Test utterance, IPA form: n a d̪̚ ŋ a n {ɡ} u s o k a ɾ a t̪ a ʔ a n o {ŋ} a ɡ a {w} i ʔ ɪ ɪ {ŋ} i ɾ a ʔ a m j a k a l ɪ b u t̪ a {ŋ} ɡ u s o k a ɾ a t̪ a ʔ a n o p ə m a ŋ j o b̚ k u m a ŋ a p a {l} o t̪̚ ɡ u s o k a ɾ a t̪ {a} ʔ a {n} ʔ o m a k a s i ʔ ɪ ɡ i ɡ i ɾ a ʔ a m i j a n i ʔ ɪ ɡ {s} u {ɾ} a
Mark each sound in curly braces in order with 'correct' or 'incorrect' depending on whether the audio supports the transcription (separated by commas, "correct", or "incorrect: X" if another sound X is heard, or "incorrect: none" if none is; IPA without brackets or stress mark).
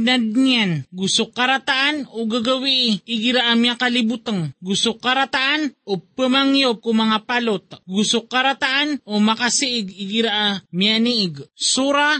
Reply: correct, incorrect: ɡ, correct, incorrect: ɡ, correct, correct, correct, correct, correct, correct